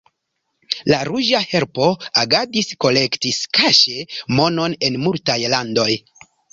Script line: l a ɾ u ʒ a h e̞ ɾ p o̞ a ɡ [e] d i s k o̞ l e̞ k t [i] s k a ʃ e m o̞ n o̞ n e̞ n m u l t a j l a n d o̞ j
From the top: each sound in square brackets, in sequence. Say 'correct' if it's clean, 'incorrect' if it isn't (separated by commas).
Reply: incorrect, correct